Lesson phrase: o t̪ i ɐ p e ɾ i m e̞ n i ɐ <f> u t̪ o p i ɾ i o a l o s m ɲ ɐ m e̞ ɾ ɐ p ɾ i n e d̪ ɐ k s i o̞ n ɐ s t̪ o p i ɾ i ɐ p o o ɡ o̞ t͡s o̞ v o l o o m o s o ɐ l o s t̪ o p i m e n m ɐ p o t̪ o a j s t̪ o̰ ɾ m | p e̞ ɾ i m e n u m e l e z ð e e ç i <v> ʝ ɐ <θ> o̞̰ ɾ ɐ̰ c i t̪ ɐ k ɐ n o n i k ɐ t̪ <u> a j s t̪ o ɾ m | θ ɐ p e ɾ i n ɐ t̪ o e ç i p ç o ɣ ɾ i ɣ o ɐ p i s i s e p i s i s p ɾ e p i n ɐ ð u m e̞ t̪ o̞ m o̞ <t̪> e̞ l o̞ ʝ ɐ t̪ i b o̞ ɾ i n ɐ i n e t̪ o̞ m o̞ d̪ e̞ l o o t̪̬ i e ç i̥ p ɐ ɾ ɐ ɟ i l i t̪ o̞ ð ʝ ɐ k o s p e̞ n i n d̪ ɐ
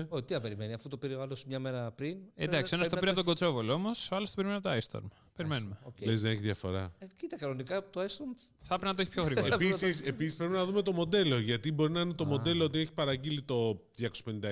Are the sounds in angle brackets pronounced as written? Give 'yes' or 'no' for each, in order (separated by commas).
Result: yes, no, no, no, no